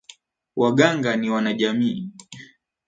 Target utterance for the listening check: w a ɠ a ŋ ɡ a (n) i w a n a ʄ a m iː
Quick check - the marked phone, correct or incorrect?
correct